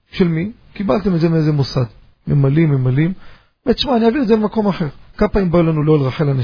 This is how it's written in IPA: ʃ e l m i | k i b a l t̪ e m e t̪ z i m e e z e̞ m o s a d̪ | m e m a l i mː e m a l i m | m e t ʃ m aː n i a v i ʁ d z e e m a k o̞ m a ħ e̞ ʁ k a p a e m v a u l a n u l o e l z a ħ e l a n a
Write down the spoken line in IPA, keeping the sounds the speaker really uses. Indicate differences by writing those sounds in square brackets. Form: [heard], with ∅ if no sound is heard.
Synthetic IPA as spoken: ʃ e l m i | k i b a l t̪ e m e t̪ z [e] m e e z e̞ m o s a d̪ | m e m a l i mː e m a l i m | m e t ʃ m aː n i a v i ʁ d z e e m a k o̞ m a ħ e̞ ʁ k a p a [i] m [b] a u l a n u l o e l [ʁ] a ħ e l a n a